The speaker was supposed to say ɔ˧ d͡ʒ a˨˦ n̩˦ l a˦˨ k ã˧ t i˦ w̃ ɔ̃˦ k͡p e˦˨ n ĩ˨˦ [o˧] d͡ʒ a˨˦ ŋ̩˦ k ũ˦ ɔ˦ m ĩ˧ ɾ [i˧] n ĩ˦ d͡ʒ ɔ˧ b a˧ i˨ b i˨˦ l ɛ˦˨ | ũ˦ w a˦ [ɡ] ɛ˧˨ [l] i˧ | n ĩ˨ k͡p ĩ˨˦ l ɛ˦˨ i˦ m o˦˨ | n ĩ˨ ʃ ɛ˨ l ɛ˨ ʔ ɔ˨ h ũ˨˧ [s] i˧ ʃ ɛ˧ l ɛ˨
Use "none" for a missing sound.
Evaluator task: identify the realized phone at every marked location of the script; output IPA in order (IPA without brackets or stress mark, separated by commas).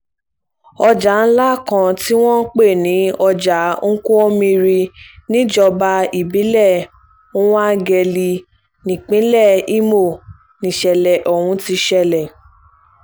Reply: ɔ˧, i˧, ɡ, l, t